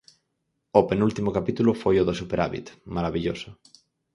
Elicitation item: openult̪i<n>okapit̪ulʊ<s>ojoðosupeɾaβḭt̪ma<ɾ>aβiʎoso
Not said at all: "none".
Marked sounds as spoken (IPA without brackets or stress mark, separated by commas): m, f, ɾ